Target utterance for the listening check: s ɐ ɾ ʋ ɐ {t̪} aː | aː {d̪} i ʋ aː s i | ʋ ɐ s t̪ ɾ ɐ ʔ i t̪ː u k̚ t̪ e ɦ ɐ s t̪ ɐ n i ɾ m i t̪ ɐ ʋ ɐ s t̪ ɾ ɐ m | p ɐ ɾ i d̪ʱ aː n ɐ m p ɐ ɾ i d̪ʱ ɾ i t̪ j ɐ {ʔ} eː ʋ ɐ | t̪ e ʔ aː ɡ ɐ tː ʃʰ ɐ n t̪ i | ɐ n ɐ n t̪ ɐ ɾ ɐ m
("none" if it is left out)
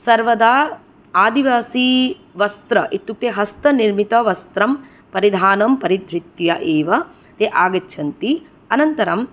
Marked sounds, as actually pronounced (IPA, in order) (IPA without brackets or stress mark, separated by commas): d̪, d̪, ʔ